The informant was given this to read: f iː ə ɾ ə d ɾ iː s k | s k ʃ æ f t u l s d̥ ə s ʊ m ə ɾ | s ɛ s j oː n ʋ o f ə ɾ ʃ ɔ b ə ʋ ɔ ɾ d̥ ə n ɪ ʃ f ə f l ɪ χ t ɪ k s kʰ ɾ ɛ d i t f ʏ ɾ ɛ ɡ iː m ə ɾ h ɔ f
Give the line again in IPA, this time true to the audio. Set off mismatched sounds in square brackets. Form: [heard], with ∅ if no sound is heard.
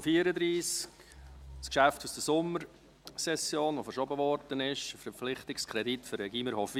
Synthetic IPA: f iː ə ɾ ə d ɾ iː s k | s k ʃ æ f t u [∅] s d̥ ə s ʊ m ə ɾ | s ɛ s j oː n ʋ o f ə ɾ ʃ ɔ b ə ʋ ɔ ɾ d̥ ə n ɪ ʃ f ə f l ɪ χ t ɪ k s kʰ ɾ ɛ d i t f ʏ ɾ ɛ ɡ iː m ə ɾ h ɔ f